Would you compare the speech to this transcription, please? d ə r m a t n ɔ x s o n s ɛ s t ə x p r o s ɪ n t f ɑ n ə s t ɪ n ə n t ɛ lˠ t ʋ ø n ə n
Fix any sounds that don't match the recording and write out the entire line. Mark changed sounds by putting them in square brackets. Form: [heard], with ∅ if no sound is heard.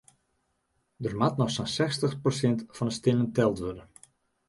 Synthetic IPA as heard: d ə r m a t n ɔ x s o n s ɛ s t ə x p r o s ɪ n t f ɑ n ə s t ɪ n ə n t ɛ lˠ t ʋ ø [d] ə n

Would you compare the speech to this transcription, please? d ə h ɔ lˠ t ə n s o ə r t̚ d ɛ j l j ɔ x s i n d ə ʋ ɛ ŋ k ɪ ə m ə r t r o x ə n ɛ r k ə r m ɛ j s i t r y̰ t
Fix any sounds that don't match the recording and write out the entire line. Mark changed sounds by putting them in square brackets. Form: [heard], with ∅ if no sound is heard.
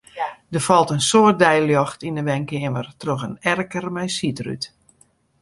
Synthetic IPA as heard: d ə [f] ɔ lˠ t ə n s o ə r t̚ d ɛ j l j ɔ x [t] i n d ə ʋ ɛ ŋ k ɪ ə m ə r t r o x ə n ɛ r k ə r m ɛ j s i t r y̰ t

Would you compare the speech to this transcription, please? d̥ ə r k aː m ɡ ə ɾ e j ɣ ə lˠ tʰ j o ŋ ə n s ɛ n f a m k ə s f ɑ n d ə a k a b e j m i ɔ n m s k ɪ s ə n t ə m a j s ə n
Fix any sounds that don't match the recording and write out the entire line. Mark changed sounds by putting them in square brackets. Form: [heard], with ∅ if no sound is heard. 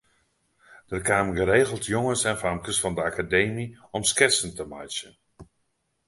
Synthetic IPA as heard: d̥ ə r k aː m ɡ ə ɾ e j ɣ ə lˠ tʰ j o ŋ ə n s ɛ n f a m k ə s f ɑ n d ə a k a [d] e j m i ɔ [∅] m s k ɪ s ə n t ə m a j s ə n

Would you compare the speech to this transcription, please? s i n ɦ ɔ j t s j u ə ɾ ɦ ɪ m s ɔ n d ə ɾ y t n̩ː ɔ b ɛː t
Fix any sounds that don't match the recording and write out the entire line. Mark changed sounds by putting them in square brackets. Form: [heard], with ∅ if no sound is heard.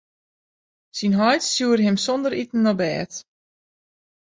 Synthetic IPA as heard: s i n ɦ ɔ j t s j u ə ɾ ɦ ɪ m s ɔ n d ə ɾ [i] t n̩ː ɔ b ɛː t

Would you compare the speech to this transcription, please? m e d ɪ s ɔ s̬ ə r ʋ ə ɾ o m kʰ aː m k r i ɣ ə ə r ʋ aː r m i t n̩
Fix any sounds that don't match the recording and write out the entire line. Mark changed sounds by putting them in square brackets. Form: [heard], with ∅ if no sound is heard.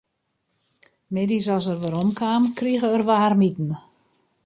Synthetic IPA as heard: m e d [i] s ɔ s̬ ə r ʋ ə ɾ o m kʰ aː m k r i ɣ ə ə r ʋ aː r m i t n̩

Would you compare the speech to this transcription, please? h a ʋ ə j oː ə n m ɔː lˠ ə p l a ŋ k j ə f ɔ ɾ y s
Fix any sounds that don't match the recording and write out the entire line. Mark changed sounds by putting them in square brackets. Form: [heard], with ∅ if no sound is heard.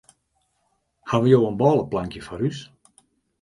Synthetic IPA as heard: h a ʋ ə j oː ə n [b] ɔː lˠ ə p l a ŋ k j ə f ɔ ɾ y s

